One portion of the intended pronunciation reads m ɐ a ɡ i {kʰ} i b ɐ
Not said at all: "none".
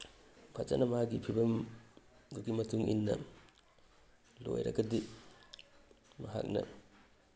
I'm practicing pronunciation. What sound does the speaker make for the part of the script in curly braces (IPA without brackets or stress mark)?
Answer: pʰ